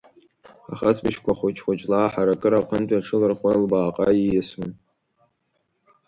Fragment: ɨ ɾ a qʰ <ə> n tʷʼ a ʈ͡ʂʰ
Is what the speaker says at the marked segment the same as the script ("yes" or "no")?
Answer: yes